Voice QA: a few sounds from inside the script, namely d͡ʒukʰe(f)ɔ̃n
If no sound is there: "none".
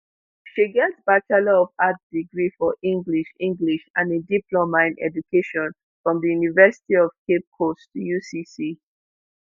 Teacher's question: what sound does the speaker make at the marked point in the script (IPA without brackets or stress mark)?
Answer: ʃ